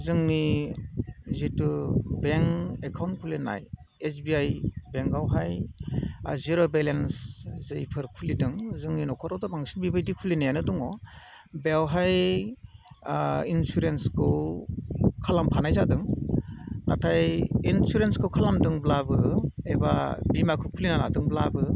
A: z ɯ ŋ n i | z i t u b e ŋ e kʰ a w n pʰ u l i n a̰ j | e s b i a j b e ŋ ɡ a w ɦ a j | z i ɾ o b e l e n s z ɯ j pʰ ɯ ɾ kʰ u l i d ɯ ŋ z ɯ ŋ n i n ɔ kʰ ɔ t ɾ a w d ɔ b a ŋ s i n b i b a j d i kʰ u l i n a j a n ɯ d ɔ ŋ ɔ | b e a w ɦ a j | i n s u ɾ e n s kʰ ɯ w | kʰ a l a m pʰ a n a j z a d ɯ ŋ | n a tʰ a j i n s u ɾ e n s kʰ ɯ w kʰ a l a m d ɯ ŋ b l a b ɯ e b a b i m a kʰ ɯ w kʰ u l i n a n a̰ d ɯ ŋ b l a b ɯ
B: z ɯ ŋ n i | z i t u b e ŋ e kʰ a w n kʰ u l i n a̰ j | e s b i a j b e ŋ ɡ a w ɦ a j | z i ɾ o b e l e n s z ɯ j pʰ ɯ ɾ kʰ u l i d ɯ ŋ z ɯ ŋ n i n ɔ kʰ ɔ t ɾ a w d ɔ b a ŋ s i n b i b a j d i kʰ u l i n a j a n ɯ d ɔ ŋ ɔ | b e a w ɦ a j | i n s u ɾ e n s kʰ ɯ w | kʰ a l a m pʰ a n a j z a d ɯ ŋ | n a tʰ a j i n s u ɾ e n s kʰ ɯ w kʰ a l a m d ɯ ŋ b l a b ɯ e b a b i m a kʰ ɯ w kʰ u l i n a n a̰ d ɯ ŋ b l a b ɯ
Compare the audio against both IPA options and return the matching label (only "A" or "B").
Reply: B